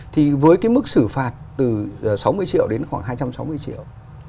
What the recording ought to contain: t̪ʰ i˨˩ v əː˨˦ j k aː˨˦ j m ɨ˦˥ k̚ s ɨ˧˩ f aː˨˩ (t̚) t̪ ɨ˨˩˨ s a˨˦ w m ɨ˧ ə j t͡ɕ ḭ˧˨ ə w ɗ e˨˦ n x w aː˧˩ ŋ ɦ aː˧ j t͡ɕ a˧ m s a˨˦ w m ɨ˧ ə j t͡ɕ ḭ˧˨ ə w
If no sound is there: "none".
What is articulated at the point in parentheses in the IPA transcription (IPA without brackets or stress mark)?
t̚